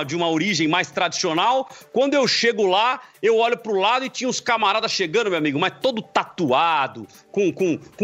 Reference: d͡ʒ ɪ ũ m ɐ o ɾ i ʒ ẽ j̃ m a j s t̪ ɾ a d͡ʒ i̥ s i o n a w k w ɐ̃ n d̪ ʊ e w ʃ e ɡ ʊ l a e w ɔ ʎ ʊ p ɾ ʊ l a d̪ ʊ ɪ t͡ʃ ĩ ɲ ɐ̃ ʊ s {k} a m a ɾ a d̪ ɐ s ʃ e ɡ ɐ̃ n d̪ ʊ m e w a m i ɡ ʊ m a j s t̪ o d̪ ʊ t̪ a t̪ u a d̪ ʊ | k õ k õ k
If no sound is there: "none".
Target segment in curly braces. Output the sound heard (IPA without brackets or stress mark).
k